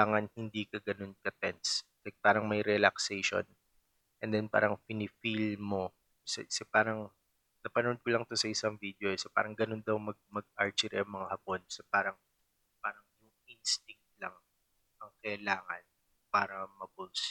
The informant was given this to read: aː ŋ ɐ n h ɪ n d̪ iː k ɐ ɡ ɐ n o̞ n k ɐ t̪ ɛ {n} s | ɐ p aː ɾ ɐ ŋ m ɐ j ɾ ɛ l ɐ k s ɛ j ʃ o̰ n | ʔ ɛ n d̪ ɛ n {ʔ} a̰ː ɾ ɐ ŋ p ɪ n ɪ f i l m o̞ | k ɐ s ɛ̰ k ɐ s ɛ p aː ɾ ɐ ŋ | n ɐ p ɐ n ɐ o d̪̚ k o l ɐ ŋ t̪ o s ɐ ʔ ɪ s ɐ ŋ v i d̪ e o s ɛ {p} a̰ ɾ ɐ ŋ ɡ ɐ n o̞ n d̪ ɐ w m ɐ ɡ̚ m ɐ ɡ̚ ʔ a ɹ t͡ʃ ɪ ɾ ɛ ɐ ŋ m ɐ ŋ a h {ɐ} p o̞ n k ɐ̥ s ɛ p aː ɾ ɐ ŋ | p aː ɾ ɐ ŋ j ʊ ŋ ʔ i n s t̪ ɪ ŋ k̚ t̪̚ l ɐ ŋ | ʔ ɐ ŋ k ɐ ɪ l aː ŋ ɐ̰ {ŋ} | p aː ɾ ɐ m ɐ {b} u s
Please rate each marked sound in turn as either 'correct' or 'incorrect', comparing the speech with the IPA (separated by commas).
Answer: correct, incorrect, correct, correct, incorrect, correct